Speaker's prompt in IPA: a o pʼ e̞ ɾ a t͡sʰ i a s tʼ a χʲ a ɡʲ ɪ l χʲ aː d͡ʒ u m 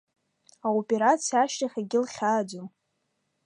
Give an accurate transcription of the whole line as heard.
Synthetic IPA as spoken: a o pʼ e̞ ɾ a t͡sʰ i a ʃ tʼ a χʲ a ɡʲ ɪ l χʲ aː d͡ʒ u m